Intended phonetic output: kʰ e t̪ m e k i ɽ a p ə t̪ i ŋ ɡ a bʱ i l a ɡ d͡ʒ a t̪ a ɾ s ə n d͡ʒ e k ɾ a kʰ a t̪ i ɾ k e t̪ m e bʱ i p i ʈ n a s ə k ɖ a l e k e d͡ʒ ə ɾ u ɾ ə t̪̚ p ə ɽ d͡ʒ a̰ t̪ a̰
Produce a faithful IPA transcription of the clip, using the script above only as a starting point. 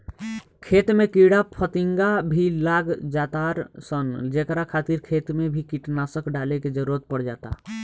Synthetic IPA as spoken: kʰ e t̪ m e k i ɽ a pʰ ə t̪ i ŋ ɡ a bʱ i l a ɡ d͡ʒ a t̪ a ɾ s ə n d͡ʒ e k ɾ a kʰ a t̪ i ɾ kʰ e t̪ m e bʱ i k i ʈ n a s ə k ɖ a l e k e d͡ʒ ə ɾ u ɾ ə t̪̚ p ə ɽ d͡ʒ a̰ t̪ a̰